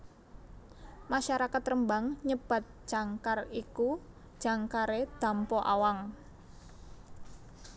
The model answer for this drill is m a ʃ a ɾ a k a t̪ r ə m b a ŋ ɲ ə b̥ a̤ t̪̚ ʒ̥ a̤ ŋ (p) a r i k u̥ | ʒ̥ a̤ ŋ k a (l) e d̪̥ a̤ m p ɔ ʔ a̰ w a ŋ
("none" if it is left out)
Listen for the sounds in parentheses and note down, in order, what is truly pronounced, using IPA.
k, ɾ

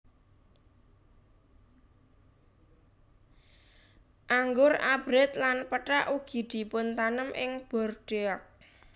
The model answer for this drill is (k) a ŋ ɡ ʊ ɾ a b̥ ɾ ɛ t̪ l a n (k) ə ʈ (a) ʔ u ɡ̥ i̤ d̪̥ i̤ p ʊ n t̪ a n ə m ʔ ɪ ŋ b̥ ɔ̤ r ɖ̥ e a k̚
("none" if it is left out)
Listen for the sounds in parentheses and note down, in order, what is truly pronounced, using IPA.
ʔ, p, a

